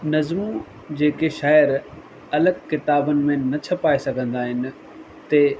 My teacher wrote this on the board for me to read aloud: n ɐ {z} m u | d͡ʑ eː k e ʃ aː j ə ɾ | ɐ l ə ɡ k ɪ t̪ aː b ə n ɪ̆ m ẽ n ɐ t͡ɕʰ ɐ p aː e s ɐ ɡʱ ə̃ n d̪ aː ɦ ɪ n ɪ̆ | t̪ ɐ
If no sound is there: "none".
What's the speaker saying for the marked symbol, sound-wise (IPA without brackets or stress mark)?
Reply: z